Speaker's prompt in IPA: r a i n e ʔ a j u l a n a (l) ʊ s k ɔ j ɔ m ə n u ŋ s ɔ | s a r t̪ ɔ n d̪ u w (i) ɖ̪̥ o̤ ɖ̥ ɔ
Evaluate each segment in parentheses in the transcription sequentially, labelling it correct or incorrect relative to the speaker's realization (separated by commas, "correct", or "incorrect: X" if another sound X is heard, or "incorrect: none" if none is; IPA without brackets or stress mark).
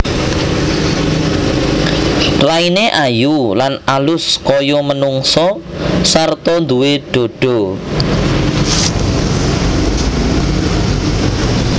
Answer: correct, incorrect: e